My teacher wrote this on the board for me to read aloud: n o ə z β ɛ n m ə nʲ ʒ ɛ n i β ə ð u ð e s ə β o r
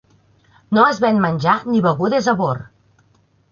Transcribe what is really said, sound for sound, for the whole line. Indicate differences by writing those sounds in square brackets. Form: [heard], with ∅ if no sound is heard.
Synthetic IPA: n o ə z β ɛ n m ə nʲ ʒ [a] n i β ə [ɣ] u ð e [z] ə β o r